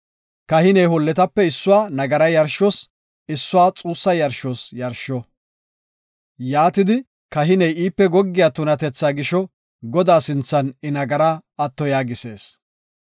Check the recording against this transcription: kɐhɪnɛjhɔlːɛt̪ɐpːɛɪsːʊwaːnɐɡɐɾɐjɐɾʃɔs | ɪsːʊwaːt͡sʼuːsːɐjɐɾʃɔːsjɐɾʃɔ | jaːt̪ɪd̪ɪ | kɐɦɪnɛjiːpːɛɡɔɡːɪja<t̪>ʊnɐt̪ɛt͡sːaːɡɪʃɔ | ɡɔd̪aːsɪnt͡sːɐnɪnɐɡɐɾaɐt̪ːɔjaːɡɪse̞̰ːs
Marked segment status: correct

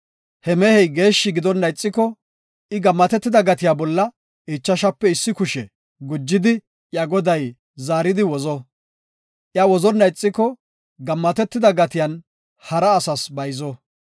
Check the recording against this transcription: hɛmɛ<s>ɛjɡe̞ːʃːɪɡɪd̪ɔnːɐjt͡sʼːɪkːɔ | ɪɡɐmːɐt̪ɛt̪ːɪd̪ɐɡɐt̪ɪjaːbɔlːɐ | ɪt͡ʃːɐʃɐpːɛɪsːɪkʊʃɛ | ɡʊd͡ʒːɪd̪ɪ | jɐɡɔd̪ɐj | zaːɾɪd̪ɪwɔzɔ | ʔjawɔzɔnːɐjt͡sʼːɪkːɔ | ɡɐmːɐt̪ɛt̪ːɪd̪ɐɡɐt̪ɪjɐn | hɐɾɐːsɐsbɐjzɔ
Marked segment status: incorrect: h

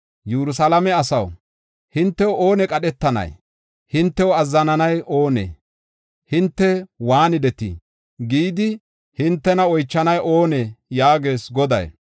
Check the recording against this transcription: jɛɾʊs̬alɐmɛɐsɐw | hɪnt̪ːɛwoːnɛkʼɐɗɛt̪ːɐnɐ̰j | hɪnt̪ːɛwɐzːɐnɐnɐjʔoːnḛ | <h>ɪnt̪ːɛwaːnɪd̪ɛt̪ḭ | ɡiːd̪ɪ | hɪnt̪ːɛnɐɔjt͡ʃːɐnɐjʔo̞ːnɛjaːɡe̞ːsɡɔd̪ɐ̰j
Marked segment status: correct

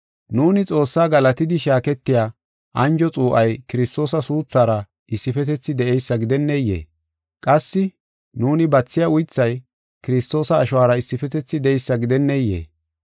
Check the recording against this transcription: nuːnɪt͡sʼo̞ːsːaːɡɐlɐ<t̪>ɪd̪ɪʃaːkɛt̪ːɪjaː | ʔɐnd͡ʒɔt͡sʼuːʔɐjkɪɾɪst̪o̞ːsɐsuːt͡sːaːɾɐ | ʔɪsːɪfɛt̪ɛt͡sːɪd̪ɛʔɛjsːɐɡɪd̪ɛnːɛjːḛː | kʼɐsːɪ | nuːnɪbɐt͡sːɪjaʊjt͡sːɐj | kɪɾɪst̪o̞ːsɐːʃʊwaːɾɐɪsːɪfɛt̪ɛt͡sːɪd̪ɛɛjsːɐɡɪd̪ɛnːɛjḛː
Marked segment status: correct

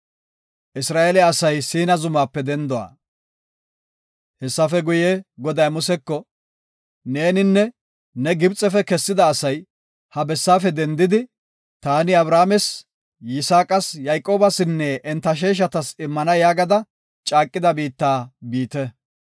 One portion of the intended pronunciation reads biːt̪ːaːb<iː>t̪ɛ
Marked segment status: correct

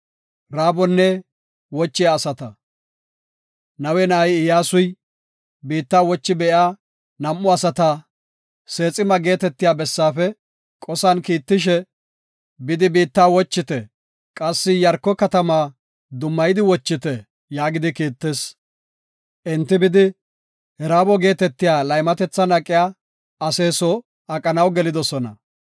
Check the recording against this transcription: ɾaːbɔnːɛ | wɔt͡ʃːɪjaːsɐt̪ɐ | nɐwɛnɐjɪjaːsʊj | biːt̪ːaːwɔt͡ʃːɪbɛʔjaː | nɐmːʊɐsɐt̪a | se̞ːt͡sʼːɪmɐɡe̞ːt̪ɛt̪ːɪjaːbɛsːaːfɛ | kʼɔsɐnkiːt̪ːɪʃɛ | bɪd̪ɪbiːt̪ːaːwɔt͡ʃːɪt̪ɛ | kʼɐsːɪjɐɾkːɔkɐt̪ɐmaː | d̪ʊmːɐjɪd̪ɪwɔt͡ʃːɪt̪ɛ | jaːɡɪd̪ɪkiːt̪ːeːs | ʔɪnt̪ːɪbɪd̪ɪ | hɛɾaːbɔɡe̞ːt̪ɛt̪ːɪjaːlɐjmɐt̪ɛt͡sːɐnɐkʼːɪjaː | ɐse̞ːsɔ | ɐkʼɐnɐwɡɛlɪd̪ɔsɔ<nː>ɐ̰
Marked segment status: incorrect: n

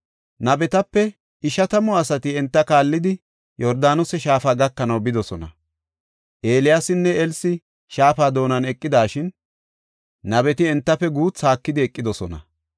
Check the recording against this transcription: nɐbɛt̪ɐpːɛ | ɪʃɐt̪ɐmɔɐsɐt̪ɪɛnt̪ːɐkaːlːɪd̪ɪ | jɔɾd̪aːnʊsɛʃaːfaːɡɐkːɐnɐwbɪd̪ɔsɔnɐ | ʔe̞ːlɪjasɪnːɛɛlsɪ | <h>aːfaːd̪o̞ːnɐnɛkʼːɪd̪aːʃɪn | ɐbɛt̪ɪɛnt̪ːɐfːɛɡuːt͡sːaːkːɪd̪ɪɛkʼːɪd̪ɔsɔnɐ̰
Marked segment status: incorrect: ʃ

